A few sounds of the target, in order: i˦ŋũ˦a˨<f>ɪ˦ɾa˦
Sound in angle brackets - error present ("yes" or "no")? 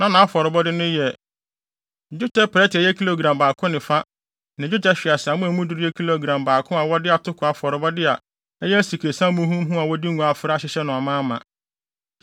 no